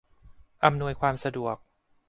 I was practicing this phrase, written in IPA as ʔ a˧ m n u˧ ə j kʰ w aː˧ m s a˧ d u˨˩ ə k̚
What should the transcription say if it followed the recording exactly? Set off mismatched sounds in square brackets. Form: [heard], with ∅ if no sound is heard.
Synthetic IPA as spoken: ʔ a˧ m n u˧ ə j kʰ w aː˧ m s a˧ d u˨˩ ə k̚